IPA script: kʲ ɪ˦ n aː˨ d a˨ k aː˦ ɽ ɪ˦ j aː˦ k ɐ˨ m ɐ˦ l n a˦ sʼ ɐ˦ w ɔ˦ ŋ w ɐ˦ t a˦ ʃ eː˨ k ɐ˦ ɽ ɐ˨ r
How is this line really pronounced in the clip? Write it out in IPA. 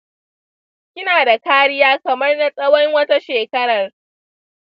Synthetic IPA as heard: kʲ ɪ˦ n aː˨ d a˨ k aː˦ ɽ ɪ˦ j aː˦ k ɐ˨ m ɐ˦ r n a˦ sʼ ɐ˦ w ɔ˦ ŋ w ɐ˦ t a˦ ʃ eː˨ k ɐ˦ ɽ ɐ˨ r